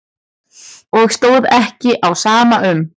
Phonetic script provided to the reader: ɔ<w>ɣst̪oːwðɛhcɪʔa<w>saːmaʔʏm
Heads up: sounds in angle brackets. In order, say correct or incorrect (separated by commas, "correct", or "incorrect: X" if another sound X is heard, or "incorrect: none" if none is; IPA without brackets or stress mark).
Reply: incorrect: none, correct